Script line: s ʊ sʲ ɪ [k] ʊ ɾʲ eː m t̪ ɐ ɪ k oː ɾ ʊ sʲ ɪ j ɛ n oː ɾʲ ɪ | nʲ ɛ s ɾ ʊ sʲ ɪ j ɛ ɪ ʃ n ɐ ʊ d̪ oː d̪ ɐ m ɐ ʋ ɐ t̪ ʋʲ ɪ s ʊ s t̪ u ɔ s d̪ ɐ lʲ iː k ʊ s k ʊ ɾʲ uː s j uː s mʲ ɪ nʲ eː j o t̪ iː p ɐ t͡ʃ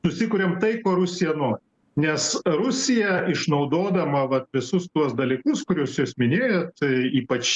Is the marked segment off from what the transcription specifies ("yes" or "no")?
no